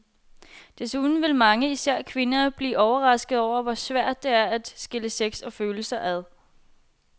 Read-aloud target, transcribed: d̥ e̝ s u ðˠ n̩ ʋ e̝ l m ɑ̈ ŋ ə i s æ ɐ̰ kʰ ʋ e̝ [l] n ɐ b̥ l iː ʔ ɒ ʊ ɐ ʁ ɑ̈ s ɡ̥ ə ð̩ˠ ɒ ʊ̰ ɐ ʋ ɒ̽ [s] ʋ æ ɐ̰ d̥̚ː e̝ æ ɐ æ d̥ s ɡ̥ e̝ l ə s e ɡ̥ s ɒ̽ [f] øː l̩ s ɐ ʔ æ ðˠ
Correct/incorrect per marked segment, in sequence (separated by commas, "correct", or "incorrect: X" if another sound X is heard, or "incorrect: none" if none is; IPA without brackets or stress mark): incorrect: none, correct, correct